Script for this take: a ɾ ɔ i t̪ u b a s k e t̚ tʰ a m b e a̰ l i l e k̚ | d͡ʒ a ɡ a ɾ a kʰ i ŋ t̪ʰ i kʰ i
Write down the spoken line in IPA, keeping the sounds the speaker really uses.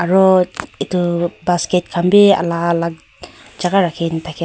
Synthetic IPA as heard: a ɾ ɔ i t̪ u b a s k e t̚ kʰ a m b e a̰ l a l a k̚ | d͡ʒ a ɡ a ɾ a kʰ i n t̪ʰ a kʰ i